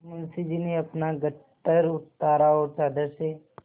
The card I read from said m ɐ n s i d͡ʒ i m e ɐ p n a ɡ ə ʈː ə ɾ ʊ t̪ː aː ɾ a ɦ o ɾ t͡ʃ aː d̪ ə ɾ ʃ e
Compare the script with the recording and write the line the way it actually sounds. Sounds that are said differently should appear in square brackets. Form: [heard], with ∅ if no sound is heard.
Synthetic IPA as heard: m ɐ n s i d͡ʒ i [n] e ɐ p n a ɡ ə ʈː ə ɾ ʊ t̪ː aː ɾ a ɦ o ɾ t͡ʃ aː d̪ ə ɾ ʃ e